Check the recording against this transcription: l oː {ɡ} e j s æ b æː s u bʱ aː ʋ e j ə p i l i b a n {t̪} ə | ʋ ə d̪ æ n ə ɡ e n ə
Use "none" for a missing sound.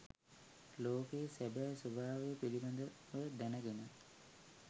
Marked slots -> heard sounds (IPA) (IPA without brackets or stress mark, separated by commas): k, d̪